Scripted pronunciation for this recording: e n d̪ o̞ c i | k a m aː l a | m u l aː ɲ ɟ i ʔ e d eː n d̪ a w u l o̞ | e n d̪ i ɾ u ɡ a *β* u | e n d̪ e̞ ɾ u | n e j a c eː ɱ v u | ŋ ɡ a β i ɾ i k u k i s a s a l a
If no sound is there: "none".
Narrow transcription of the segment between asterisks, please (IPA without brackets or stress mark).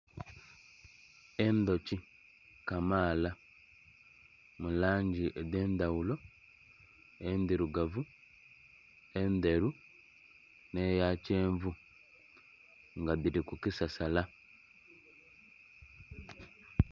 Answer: v